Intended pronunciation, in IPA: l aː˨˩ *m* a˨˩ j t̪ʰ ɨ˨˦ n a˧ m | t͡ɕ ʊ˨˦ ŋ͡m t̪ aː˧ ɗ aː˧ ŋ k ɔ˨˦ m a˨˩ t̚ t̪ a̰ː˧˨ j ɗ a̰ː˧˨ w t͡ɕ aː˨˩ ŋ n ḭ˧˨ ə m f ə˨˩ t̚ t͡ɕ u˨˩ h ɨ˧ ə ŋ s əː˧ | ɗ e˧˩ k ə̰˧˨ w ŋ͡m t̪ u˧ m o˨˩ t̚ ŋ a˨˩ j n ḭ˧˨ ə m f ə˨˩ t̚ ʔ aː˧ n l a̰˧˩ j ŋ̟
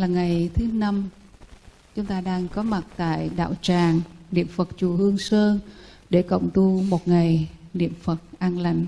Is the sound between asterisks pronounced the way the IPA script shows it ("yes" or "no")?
no